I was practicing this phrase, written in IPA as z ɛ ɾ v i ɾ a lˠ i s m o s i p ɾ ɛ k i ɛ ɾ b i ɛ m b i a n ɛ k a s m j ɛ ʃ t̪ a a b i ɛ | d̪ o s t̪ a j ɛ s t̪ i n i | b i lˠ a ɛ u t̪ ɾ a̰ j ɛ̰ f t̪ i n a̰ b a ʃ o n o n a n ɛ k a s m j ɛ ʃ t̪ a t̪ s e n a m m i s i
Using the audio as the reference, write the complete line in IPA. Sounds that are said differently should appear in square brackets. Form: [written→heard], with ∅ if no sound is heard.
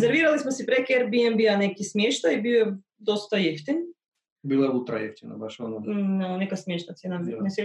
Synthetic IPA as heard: z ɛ ɾ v i ɾ a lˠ i s m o s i p ɾ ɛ k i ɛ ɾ b i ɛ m b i a n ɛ k [a→i] s m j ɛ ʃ t̪ a [a→i] b i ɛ | d̪ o s t̪ a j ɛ [s→f] t̪ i n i | b i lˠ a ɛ u t̪ ɾ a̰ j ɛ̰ f t̪ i n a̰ b a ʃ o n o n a n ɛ k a s m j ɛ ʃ t̪ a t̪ s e n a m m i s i